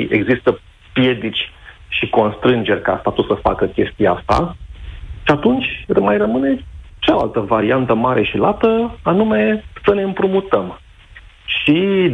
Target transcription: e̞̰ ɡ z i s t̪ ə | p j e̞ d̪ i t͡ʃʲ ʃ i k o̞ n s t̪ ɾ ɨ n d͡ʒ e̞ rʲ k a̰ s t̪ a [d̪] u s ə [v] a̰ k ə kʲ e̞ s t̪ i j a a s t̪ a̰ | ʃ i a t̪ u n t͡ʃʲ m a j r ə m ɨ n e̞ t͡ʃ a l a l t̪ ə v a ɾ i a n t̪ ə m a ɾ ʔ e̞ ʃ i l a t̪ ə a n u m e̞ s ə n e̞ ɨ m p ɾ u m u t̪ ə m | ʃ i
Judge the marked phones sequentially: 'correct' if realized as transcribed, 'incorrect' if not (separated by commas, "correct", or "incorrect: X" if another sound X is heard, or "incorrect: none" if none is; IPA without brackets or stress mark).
incorrect: t̪, incorrect: f